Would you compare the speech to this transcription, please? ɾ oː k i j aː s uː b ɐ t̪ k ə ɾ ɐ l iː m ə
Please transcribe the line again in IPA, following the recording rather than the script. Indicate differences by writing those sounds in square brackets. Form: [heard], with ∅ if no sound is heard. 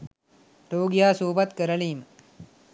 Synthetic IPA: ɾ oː [ɡ] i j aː s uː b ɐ t̪ k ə ɾ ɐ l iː m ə